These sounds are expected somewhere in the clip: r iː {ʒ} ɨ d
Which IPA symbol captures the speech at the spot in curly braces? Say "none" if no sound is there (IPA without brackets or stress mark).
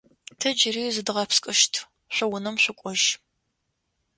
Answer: z